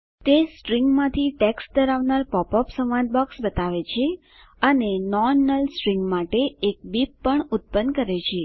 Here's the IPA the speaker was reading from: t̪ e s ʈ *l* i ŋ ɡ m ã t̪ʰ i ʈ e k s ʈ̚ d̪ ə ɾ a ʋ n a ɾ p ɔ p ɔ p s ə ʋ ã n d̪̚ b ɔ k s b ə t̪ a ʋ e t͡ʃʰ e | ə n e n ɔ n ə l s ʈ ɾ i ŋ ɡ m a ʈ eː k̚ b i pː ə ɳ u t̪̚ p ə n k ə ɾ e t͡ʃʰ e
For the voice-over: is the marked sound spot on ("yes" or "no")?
no